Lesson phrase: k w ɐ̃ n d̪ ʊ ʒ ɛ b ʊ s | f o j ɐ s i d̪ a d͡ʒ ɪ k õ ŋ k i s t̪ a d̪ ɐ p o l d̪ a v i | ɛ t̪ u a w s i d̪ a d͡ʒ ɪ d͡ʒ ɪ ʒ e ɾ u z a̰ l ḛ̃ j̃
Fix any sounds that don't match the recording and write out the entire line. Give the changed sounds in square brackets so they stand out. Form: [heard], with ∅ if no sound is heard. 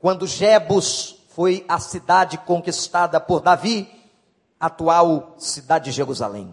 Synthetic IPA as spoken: k w ɐ̃ n d̪ ʊ ʒ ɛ b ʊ s | f o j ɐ s i d̪ a d͡ʒ ɪ k õ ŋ k i s t̪ a d̪ ɐ p o [ɾ] d̪ a v i | [a] t̪ u a w s i d̪ a d͡ʒ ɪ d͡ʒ ɪ ʒ e ɾ u z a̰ l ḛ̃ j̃